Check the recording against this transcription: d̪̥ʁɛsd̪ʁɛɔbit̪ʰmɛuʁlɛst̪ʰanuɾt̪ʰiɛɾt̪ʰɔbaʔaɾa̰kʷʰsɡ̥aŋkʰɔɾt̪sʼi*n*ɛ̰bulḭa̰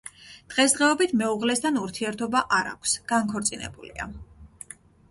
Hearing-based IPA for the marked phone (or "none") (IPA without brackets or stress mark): n